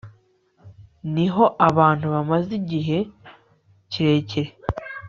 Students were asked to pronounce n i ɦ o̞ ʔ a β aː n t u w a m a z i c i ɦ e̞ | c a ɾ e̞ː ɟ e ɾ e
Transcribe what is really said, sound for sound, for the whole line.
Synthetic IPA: n i ɦ o̞ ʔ a β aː n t u β a m a z i ɟ i ɦ e̞ | c i ɾ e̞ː c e ɾ e